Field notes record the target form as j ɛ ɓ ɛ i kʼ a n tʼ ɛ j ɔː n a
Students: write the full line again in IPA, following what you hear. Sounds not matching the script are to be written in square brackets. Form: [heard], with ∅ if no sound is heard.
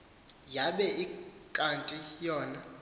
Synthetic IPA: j [a] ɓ ɛ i kʼ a n tʼ [i] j ɔː n a